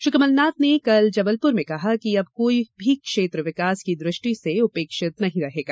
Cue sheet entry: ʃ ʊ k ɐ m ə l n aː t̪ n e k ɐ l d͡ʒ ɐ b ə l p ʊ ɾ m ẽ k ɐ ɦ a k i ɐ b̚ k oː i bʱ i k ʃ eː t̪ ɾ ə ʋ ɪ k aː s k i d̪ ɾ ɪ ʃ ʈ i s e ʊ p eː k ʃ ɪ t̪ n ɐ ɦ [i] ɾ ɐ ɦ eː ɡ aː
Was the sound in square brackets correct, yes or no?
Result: no